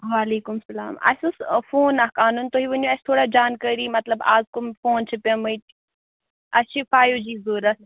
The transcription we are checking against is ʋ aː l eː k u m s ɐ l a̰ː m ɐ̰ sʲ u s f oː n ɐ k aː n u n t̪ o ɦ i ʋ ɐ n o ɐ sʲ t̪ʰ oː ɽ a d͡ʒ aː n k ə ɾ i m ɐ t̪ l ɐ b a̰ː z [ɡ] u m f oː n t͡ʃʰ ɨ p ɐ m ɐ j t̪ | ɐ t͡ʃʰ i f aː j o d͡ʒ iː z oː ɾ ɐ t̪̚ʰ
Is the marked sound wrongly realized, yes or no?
yes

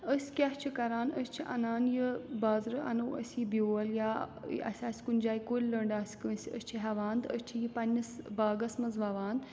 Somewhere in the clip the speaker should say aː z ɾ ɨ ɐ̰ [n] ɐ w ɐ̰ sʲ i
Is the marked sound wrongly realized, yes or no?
no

